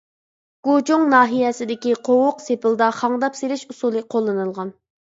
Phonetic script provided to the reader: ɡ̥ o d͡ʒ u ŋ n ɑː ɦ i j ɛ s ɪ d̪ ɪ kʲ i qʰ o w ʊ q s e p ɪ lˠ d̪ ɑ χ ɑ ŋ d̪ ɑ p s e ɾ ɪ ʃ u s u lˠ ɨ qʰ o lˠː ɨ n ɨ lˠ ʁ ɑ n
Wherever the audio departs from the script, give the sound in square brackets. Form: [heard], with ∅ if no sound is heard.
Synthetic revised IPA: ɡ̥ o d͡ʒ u ŋ n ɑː ɦ i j ɛ s ɪ d̪ ɪ kʲ i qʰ o w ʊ q s e p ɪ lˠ d̪ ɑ χ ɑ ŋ d̪ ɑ p s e ɾ ɪ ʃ u s u lˠ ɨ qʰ o lˠː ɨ n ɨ lˠ ʁ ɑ n